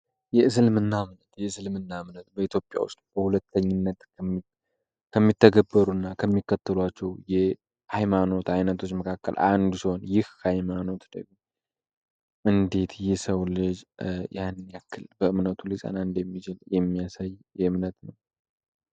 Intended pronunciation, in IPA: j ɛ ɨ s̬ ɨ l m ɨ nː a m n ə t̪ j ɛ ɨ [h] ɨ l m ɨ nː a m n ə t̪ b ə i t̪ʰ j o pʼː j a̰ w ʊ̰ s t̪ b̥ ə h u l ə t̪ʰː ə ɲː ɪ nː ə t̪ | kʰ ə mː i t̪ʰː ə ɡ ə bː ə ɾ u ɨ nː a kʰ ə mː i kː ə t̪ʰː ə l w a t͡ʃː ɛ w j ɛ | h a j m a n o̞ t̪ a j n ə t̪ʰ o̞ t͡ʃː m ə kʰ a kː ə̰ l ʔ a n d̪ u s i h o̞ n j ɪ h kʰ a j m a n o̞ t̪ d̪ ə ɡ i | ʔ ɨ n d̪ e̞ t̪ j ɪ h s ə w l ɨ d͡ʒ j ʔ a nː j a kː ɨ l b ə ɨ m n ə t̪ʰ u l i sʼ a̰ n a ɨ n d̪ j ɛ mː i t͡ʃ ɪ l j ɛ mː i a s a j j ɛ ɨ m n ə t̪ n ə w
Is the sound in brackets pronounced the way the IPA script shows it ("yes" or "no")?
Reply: no